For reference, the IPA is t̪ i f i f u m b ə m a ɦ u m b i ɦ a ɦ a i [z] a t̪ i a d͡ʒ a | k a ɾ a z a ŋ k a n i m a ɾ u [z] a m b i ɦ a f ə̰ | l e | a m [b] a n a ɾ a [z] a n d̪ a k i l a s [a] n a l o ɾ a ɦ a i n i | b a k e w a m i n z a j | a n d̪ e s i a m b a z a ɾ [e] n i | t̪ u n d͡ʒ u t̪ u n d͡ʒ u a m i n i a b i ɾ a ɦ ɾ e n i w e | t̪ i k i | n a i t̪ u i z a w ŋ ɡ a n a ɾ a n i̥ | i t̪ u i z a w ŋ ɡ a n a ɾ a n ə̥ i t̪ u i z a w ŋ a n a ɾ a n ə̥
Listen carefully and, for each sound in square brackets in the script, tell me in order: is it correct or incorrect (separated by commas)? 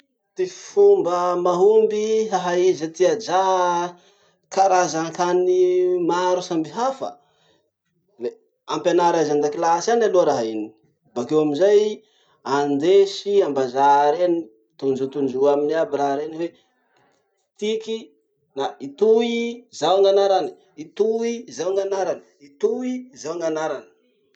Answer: correct, incorrect, incorrect, correct, correct, correct